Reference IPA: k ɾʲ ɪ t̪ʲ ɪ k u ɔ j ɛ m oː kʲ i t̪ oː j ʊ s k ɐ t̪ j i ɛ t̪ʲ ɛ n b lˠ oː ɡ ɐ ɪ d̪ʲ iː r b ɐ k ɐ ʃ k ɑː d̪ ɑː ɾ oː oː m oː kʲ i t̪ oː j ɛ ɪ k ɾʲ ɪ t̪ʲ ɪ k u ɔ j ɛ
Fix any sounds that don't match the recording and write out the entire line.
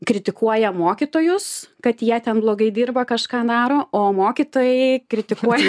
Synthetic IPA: k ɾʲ ɪ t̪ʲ ɪ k u ɔ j ɛ m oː kʲ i t̪ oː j ʊ s k ɐ t̪ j i ɛ t̪ʲ ɛ n b lˠ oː ɡ ɐ ɪ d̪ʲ iː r b ɐ k ɐ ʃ k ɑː d̪ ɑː ɾ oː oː m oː kʲ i t̪ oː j ɛ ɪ k ɾʲ ɪ t̪ʲ ɪ k u ɔ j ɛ